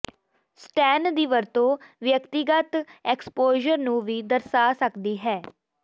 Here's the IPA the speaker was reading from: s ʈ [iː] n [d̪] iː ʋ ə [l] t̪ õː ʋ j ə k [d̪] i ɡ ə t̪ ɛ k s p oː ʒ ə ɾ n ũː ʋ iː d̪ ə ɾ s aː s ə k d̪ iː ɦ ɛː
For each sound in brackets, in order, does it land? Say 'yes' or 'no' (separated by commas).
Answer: no, yes, no, no